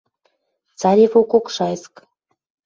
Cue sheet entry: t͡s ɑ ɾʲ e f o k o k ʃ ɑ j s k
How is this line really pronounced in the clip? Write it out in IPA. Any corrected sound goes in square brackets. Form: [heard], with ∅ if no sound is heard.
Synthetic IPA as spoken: t͡s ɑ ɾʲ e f o k o k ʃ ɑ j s k